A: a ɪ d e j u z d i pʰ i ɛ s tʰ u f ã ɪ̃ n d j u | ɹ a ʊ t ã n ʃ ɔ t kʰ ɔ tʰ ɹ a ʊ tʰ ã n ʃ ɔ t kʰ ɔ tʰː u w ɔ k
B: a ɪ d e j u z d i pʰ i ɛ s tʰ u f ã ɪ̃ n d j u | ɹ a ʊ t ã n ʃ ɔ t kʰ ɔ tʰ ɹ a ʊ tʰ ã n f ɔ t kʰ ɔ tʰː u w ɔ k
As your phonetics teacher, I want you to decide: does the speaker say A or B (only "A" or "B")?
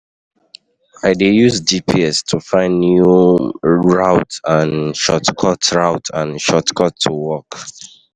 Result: A